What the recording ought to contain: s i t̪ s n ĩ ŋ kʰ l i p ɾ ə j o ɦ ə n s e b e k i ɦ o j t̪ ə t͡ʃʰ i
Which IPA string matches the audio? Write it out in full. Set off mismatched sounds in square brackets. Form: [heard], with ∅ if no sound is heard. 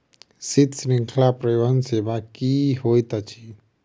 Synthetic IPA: s i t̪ s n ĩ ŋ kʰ l [a] p ɾ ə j o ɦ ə n s e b [a] k i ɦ o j t̪ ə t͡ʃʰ i